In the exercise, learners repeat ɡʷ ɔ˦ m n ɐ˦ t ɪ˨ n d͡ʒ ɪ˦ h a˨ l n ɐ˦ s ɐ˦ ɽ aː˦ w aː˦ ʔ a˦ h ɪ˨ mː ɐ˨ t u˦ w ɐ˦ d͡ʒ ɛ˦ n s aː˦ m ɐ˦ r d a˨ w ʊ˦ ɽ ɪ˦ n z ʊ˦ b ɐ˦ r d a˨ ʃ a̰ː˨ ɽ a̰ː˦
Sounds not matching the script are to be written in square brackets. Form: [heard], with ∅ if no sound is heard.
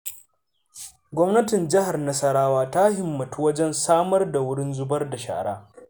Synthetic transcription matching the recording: ɡʷ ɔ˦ m n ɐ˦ t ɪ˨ n d͡ʒ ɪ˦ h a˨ [r] n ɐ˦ s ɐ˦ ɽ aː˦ w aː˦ [t] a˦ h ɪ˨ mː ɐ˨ t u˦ w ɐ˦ d͡ʒ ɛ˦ n s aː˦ m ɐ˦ r d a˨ w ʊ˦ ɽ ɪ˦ n z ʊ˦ b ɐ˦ r d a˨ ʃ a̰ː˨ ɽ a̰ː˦